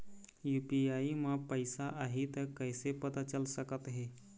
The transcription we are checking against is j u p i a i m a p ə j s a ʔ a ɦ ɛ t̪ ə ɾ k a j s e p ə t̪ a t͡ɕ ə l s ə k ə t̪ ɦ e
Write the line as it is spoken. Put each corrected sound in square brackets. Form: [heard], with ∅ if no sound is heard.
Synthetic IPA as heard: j u p i a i m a p ə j s a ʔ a ɦ [i] t̪ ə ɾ k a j s e p ə t̪ a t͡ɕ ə l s ə k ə t̪ ɦ e